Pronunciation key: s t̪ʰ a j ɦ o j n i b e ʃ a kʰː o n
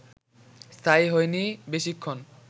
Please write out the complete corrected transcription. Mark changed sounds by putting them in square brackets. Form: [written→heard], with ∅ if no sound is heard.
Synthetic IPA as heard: s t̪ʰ a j ɦ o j n i b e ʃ [a→i] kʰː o n